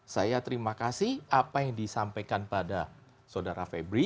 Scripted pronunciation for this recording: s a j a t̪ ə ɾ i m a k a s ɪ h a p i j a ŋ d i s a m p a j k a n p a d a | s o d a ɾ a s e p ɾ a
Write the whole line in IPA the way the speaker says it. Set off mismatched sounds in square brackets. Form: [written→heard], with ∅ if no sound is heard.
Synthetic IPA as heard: s a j a t̪ ə ɾ i m a k a s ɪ h a p [i→a] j a ŋ d i s a m p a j k a n p a d a | s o d a ɾ a [s→f] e [p→b] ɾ [a→i]

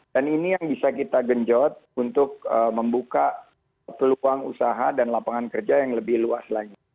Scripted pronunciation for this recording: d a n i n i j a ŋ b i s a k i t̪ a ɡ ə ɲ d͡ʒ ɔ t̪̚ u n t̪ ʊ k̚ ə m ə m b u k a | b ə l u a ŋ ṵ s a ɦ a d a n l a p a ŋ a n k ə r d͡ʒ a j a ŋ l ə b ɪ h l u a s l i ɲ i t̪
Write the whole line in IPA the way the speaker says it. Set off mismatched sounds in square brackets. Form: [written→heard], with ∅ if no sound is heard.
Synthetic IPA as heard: d a n i n i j a ŋ b i s a k i t̪ a ɡ ə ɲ d͡ʒ ɔ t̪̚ u n t̪ ʊ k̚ ə m ə m b u k a | [b→p] ə l u a ŋ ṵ s a ɦ a d a n l a p a ŋ a n k ə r d͡ʒ a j a ŋ l ə b ɪ h l u a s l [i→a] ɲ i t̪

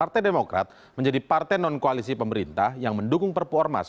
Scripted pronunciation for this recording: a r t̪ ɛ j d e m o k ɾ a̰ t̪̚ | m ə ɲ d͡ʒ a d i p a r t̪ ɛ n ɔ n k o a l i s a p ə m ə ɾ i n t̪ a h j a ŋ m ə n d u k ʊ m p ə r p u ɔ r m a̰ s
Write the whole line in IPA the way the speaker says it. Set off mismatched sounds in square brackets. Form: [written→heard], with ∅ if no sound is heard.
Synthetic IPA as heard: a r t̪ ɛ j d e m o k ɾ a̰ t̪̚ | m ə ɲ d͡ʒ a d i p a r t̪ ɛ n ɔ n k o a l i s [a→i] p ə m ə ɾ i n t̪ a h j a ŋ m ə n d u k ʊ [m→ŋ] p ə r p u ɔ r m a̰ s

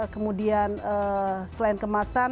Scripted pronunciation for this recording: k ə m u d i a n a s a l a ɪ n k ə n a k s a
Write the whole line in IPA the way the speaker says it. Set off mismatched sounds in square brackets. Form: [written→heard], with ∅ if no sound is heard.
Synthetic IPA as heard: k ə m u d i a n [a→ə] s [a→ə] l a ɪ n k ə [n→m] a [k→∅] s a

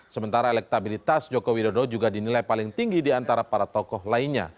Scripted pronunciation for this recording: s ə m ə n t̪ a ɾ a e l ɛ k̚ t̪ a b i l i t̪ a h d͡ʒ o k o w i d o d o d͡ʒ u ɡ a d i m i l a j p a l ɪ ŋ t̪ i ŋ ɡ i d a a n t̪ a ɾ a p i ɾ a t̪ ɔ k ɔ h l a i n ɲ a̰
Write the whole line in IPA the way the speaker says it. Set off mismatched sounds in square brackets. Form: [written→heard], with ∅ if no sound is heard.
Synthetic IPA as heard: s ə m ə n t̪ a ɾ a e l ɛ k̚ t̪ a b i l i t̪ a [h→s] d͡ʒ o k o w i d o d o d͡ʒ u ɡ a d i [m→n] i l a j p a l ɪ ŋ t̪ i ŋ ɡ i d [a→i] a n t̪ a ɾ a p [i→a] ɾ a t̪ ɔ k ɔ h l a i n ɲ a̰

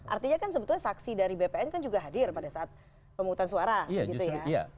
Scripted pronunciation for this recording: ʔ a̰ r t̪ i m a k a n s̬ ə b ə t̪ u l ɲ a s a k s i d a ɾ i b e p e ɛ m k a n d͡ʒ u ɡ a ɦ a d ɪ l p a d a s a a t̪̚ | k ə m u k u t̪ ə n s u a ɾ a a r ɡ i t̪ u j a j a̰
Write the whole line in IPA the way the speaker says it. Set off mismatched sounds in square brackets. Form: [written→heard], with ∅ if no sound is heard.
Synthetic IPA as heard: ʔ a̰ r t̪ i [m→ɲ] a k a n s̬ ə b ə t̪ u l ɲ a s a k s i d a ɾ i b e p e ɛ [m→n] k a n d͡ʒ u ɡ a ɦ a d ɪ [l→r] p a d a s a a t̪̚ | [k→p] ə m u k u t̪ [ə→a] n s u a ɾ a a [r→∅] ɡ i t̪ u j a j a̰

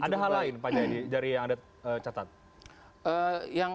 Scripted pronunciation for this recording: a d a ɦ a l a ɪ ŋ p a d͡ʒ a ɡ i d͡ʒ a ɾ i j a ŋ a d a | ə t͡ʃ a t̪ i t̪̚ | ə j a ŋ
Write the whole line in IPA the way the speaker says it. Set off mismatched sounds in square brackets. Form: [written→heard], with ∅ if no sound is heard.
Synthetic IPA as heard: a d a ɦ a l a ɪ [ŋ→n] p a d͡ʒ a [ɡ→d] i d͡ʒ a ɾ i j a ŋ a d a | ə t͡ʃ a t̪ [i→a] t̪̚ | ə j a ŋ

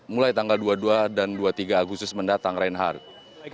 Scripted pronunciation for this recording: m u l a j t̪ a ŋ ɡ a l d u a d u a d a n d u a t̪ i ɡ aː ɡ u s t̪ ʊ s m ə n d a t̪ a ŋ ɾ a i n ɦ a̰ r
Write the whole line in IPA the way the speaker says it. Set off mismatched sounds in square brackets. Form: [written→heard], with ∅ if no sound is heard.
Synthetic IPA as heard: m u l a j t̪ a ŋ ɡ a l d u a d u a d a n d u a t̪ i ɡ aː ɡ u s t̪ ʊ s m ə n d a t̪ a ŋ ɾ a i n ɦ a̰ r

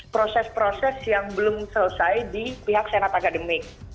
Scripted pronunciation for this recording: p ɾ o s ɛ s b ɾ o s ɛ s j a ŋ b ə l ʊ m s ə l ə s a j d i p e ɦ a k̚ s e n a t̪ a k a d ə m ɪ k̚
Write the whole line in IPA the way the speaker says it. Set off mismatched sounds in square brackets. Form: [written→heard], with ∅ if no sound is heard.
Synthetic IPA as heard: p ɾ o s ɛ s [b→p] ɾ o s ɛ s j a ŋ b ə l ʊ m s ə l ə s a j d i p [e→i] ɦ a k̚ s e n a t̪ a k a d ə m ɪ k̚

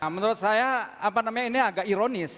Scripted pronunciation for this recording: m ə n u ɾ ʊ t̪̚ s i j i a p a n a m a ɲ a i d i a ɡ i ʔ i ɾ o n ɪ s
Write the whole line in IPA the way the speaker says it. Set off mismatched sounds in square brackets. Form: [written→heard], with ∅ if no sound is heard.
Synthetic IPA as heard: m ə n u ɾ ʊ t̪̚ s [i→a] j [i→a] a p a n a m a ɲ a i [d→n] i a ɡ [i→a] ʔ i ɾ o n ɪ s

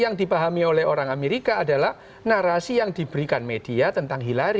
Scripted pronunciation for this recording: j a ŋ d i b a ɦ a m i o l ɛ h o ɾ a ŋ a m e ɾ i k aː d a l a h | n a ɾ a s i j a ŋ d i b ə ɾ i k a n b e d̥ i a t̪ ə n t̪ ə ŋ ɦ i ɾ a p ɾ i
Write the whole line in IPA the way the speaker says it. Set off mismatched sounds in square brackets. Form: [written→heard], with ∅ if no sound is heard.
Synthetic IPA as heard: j a ŋ d i [b→p] a ɦ a m i o l ɛ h o ɾ a ŋ a m e ɾ i k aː d a l a h | n a ɾ a s i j a ŋ d i b ə ɾ i k a n [b→m] e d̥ i a t̪ ə n t̪ [ə→a] ŋ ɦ i [ɾ→l] a [p→∅] ɾ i

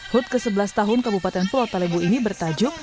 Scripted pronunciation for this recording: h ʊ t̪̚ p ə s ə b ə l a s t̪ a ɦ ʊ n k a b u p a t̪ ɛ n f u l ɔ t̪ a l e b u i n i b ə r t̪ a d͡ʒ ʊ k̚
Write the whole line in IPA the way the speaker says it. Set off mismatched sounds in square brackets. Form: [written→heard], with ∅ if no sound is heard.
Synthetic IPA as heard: h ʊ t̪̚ [p→k] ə s ə b ə l a s t̪ a ɦ ʊ n k a b u p a t̪ ɛ n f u l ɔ t̪ a l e b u i n i b ə r t̪ a d͡ʒ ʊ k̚

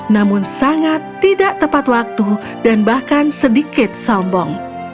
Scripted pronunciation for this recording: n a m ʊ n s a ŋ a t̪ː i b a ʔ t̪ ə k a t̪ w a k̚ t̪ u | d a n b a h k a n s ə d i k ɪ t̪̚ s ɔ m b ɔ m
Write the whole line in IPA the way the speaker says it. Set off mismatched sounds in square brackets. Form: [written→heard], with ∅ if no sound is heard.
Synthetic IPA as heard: n a m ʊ n s a ŋ a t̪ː i [b→d] a ʔ t̪ ə [k→p] a t̪ w a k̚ t̪ u | d a n b a h k a n s ə d i k ɪ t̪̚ s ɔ m b ɔ [m→ŋ]

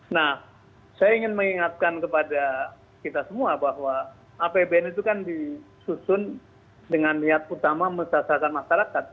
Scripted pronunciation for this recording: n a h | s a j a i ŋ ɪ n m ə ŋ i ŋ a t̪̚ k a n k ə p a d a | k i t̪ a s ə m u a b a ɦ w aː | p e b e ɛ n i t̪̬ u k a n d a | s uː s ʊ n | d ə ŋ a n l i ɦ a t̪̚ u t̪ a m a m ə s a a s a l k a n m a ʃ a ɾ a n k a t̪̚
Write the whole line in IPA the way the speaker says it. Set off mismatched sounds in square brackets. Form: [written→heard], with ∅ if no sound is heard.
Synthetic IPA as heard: n a h | s a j a i ŋ ɪ n m ə ŋ i ŋ a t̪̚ k a n k ə p a d a | k i t̪ a s ə m u a b a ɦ w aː | p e b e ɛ n i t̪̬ u k a n d [a→i] | s [uː→u] s ʊ n | d ə ŋ a n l i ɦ a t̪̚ u t̪ a m a m ə s a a s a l k a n m a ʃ a ɾ a [n→∅] k a t̪̚

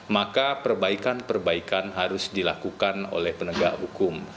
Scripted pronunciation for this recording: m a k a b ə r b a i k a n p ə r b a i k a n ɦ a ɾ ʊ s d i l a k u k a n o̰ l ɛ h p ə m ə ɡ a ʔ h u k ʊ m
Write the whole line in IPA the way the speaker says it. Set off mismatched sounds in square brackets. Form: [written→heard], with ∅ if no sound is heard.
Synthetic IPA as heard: m a k a [b→p] ə r b a i k a n p ə r b a i k a n ɦ a ɾ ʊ s d i l a k u k a n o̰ l ɛ h p ə [m→n] ə ɡ a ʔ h u k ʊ m

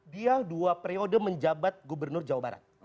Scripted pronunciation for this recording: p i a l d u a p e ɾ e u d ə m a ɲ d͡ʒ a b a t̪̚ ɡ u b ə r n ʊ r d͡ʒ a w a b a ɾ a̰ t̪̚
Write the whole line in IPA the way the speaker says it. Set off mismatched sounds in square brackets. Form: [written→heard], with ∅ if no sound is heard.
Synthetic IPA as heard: [p→b] i a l d u a p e ɾ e [u→o] d ə m [a→ə] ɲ d͡ʒ a b a t̪̚ ɡ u b ə r n ʊ r d͡ʒ a w a b a ɾ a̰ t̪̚

